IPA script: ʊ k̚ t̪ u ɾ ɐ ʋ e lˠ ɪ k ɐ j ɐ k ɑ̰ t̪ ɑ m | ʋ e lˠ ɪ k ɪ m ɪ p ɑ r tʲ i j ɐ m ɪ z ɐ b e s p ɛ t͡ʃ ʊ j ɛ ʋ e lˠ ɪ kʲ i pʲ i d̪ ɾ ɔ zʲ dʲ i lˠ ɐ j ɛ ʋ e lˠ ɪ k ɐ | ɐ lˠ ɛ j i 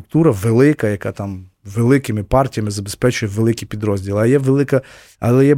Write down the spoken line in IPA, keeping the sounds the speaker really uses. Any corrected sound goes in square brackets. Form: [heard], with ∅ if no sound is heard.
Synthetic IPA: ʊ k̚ t̪ u ɾ ɐ ʋ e lˠ ɪ k ɐ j ɐ k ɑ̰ t̪ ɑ m | ʋ e lˠ ɪ k ɪ m ɪ p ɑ r tʲ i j ɐ m ɪ z ɐ b e s p ɛ t͡ʃ ʊ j ɛ ʋ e lˠ ɪ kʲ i pʲ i d̪ ɾ ɔ zʲ dʲ i lˠ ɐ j ɛ ʋ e lˠ ɪ k ɐ | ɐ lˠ ɛ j [ɛ]